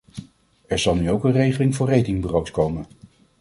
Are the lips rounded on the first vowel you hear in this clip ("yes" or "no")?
no